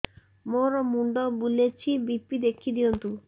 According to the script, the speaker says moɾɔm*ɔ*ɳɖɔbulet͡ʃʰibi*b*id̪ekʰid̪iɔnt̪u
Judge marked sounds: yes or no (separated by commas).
no, no